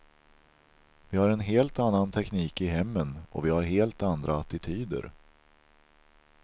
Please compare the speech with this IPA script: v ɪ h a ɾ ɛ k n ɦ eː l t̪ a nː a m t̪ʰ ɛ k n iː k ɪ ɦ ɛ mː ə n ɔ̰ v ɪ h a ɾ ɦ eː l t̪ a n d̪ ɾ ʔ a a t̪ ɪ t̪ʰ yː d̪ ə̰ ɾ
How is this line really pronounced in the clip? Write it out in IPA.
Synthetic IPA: v ɪ h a ɾ ɛ n ɦ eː l t̪ a nː a n t̪ʰ ɛ k n iː k ɪ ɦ ɛ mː ə n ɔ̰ v ɪ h a ɾ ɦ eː l t̪ a n d̪ ɾ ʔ a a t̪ ɪ t̪ʰ yː d̪ ə̰ ɾ